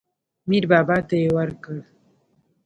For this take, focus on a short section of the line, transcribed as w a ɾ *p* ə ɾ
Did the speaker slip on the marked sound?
yes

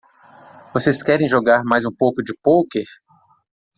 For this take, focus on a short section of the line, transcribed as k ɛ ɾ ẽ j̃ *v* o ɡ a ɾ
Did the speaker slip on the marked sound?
yes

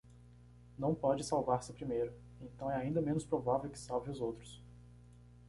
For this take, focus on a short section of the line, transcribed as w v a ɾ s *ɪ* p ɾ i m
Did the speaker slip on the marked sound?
no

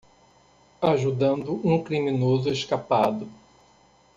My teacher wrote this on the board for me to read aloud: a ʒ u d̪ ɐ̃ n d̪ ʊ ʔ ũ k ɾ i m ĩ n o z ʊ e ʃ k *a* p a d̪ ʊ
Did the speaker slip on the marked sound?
no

